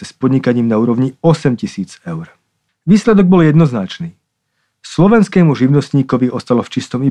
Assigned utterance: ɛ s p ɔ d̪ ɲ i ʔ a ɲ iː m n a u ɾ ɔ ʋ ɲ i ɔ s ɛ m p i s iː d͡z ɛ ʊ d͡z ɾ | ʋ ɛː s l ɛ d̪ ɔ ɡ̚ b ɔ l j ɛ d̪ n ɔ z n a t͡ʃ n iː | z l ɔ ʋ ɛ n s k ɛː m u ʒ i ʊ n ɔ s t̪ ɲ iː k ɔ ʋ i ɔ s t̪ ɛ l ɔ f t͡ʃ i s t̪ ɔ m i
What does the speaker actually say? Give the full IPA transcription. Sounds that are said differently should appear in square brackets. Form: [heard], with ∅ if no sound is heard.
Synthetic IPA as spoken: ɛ s p ɔ d̪ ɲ i [k] a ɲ iː m n a [uː] ɾ ɔ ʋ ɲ i ɔ s ɛ m [c] i s iː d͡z ɛ ʊ [∅] ɾ | ʋ [iː] s l ɛ d̪ ɔ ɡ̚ b ɔ l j ɛ d̪ n ɔ z n a t͡ʃ n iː | [s] l ɔ ʋ ɛ n s k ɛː m u ʒ i ʊ n ɔ s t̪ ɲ iː k ɔ ʋ i ɔ s t̪ [a] l ɔ f t͡ʃ i s t̪ ɔ m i